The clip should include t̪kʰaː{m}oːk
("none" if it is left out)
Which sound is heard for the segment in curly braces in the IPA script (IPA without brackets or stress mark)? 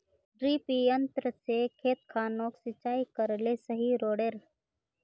n